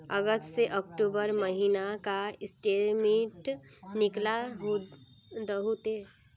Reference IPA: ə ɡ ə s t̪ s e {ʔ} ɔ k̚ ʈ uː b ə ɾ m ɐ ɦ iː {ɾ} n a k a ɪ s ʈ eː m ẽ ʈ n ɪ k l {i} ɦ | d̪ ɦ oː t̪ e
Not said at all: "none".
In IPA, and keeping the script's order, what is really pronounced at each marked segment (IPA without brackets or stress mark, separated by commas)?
ʔ, none, a